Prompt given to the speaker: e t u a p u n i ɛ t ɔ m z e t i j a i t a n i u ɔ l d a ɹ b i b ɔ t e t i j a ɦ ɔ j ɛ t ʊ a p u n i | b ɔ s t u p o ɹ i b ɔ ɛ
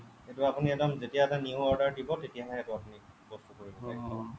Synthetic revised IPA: e t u a p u n i ɛ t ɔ m z e t i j a ɛ t a n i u ɔ ɹ d a ɹ d i b ɔ t e t i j a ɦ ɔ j ɛ t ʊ a p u n i | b ɔ s t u k o ɹ i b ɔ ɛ